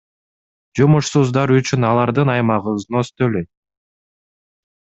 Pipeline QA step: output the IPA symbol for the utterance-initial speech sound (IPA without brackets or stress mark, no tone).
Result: d͡ʒ